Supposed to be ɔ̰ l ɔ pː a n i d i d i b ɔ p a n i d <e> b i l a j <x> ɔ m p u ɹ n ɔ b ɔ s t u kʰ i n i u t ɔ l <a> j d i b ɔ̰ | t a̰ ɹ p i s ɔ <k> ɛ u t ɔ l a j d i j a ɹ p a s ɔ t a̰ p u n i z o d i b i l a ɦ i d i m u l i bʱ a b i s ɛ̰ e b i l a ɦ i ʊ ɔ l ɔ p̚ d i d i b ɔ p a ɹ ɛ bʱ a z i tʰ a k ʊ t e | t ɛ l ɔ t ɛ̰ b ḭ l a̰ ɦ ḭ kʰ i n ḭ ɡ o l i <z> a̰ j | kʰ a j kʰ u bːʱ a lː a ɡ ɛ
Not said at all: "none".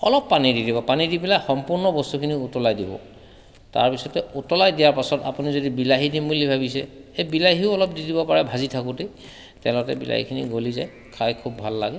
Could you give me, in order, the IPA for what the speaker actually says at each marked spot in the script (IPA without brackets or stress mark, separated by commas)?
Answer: i, x, a, t, z